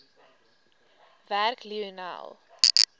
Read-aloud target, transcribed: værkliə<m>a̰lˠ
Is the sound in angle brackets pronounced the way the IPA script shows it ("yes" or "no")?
no